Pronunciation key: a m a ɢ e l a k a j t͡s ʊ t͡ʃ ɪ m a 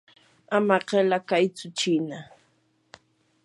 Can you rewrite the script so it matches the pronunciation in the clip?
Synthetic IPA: a m a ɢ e l a k a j t͡s ʊ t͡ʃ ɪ n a